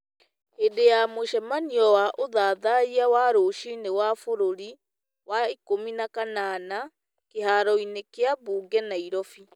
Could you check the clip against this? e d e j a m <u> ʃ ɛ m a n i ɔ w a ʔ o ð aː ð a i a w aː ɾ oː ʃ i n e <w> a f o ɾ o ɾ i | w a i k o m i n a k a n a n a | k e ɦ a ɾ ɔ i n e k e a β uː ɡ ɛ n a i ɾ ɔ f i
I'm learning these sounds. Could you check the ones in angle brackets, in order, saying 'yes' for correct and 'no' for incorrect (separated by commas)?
no, yes